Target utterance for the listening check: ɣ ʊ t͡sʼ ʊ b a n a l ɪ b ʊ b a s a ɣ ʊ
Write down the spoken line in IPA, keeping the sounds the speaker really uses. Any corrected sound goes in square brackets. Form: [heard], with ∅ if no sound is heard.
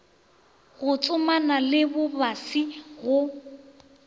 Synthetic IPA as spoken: ɣ ʊ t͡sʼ ʊ [m] a n a l ɪ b ʊ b a s [i] ɣ ʊ